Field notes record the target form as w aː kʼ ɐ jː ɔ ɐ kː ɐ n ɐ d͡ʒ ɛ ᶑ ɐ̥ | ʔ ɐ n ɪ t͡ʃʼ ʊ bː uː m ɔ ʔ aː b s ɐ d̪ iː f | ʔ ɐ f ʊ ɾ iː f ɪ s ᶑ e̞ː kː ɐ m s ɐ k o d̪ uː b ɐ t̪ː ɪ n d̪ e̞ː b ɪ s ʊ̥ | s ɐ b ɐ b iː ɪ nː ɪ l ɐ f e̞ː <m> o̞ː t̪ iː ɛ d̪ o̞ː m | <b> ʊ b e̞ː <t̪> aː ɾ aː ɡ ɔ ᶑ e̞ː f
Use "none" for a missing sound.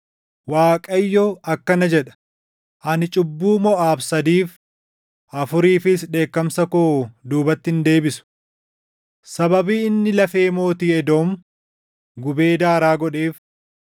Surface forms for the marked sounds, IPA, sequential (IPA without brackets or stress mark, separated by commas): m, ɡ, d̪